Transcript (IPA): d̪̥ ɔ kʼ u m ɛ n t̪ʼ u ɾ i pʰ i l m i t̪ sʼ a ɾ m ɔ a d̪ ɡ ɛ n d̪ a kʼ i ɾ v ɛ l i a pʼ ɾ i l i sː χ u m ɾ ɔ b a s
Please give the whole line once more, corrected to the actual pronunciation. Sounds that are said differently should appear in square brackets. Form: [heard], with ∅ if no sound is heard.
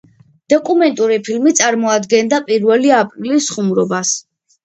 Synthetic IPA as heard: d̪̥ ɔ kʼ u m ɛ n t̪ʼ u ɾ i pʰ i l m i t̪ sʼ a ɾ m ɔ a d̪ ɡ ɛ n d̪ a [pʼ] i ɾ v ɛ l i a pʼ ɾ i l i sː χ u m ɾ ɔ b a s